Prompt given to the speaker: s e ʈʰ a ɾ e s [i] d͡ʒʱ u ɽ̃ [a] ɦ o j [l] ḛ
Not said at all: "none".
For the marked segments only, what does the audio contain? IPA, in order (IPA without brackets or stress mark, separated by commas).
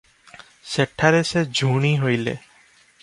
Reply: e, i, l